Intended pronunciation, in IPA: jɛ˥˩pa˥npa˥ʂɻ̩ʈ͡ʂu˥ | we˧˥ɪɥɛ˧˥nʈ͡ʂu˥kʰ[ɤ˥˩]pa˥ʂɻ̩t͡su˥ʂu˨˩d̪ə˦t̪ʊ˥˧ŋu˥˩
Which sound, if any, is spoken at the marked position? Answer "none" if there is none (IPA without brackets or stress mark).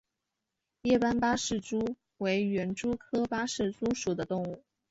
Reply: ɤ˥